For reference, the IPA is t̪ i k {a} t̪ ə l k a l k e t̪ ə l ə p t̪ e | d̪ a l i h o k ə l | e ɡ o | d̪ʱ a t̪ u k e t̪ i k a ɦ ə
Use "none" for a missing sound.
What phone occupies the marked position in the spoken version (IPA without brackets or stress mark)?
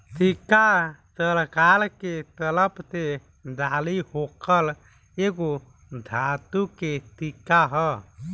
a